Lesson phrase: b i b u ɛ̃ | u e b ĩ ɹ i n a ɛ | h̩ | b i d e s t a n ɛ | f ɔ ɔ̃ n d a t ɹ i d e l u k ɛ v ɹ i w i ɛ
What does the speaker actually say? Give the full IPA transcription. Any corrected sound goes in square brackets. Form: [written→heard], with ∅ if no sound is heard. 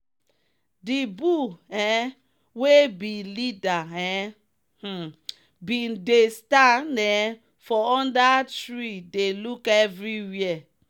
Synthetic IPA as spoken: [b→d] i b u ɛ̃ | [u→w] e b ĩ [ɹ→l] i [n→d] a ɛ | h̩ | b i d e s t a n ɛ | f ɔ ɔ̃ n d a t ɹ i d e l u k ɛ v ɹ i w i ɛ